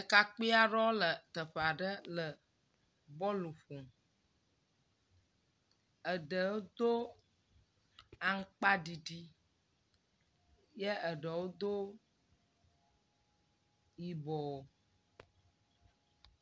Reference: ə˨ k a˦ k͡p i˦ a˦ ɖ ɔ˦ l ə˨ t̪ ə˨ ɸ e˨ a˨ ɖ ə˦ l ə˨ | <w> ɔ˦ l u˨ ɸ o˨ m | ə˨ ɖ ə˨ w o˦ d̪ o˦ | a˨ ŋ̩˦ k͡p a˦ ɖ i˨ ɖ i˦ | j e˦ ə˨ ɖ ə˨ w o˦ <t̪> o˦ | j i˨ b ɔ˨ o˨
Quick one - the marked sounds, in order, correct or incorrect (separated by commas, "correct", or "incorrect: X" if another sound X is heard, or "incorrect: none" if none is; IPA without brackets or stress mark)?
incorrect: b, incorrect: d̪